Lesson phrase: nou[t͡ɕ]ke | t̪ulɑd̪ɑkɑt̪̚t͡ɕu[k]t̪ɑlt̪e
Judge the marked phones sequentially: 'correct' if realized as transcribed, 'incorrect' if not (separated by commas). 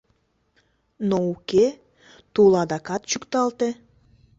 incorrect, correct